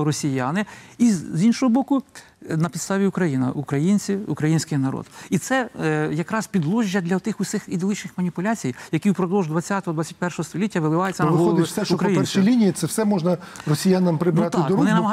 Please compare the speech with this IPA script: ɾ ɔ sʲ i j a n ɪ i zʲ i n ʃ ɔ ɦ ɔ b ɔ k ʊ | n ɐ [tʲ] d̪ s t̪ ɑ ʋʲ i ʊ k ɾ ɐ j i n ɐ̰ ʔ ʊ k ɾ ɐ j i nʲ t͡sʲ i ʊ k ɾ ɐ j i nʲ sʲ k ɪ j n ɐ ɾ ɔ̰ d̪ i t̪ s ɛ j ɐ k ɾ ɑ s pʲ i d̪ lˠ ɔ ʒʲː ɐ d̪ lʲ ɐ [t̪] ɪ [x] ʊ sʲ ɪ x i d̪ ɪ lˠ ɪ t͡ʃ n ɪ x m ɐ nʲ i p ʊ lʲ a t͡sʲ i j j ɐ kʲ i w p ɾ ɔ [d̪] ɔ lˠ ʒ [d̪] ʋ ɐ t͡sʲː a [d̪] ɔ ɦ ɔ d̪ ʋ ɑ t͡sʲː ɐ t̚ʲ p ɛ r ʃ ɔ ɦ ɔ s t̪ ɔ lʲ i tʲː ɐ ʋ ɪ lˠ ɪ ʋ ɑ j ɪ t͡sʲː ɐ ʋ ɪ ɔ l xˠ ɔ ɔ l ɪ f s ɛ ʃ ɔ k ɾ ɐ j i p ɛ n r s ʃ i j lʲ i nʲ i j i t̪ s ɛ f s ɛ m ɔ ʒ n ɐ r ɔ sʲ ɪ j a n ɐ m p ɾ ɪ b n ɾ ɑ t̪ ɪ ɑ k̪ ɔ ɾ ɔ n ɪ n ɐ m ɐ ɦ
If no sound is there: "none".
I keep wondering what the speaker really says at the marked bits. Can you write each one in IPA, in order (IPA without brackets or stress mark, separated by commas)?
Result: pʲ, t̪, x, d̪, d̪, t̪